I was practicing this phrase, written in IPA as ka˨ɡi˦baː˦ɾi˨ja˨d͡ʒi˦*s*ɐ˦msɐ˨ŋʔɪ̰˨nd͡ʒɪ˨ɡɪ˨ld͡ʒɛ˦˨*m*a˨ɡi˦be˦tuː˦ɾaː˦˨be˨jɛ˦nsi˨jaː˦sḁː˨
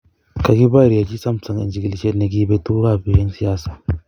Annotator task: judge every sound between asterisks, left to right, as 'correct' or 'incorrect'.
correct, incorrect

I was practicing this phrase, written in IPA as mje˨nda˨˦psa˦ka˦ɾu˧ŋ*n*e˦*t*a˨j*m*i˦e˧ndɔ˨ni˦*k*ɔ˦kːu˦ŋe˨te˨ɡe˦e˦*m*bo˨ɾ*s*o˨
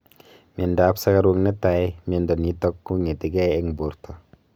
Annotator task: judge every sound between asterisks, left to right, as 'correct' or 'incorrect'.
correct, correct, correct, incorrect, incorrect, incorrect

